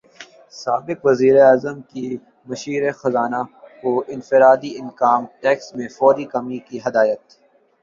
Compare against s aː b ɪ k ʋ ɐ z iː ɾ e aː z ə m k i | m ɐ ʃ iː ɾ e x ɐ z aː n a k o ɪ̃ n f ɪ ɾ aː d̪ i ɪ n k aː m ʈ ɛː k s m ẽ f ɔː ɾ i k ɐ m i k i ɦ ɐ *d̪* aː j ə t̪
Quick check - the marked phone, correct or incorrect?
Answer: correct